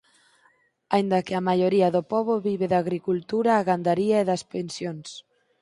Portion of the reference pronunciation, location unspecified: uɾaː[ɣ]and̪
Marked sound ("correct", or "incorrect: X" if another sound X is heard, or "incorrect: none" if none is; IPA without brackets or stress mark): correct